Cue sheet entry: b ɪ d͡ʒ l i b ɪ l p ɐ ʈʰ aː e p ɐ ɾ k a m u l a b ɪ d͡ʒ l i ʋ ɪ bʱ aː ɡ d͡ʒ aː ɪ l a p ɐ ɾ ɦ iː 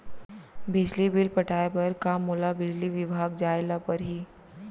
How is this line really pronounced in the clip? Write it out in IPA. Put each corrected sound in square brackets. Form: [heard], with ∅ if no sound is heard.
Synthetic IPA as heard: b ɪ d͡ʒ l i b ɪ l p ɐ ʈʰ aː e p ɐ ɾ k a m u l a b ɪ d͡ʒ l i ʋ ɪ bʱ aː ɡ d͡ʒ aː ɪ l a p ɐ ɾ ɦ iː